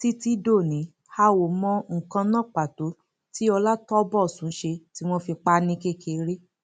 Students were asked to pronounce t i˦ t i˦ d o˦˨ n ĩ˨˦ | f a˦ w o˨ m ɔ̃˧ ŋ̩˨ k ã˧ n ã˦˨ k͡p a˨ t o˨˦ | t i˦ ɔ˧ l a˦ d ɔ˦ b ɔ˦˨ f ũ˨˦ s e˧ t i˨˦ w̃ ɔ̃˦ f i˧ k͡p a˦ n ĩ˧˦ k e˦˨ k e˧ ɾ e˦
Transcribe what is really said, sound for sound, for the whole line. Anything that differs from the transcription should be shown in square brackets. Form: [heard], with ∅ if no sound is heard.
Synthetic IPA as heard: t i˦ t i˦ d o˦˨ n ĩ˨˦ | [h] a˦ w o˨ m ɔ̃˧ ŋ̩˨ k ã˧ n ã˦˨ k͡p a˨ t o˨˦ | t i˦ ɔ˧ l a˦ [t] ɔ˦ b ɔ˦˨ [s] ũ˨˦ [ʃ] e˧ t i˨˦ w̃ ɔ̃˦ f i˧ k͡p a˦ n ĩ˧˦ k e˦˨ k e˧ ɾ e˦